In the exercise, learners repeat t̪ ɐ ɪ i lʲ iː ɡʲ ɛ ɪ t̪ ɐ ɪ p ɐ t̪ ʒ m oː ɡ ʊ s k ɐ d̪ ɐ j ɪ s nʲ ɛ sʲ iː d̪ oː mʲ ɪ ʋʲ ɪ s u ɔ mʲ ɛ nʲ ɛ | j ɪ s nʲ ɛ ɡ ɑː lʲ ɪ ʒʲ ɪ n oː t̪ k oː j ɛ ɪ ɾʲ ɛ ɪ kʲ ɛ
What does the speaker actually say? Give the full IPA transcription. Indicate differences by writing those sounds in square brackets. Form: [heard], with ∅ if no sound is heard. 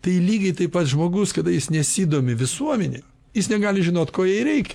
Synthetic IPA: t̪ ɐ ɪ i lʲ iː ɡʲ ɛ ɪ t̪ ɐ ɪ p ɐ t̪ ʒ m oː ɡ ʊ s k ɐ d̪ ɐ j ɪ s nʲ ɛ sʲ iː d̪ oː mʲ ɪ ʋʲ ɪ s u ɔ mʲ ɛ nʲ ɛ | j ɪ s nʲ ɛ ɡ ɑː lʲ ɪ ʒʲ ɪ n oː t̪ k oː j ɛ ɪ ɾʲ ɛ ɪ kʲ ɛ